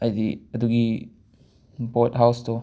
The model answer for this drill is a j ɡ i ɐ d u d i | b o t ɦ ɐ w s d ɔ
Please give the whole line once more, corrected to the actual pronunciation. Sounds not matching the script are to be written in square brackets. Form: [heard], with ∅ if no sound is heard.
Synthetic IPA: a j [d] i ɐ d u [ɡ] i | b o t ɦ [a] w s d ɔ